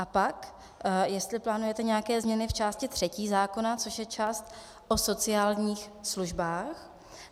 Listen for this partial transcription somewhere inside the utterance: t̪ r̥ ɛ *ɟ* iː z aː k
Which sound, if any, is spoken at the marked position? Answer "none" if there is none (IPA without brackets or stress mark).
c